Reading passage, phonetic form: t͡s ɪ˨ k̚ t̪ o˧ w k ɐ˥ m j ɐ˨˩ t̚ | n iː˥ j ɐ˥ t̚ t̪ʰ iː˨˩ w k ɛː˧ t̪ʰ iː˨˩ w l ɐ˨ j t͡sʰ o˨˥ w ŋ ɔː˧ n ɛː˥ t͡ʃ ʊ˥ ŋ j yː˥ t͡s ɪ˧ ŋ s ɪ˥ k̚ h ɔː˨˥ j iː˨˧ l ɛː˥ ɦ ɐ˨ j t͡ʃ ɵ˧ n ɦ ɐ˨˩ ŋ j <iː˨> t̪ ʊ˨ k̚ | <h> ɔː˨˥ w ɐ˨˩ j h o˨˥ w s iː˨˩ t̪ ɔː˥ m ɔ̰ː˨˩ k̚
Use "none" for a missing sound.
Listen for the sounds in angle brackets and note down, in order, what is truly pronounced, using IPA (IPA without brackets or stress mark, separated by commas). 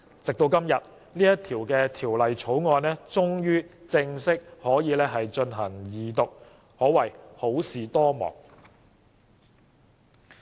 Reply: iː˨, h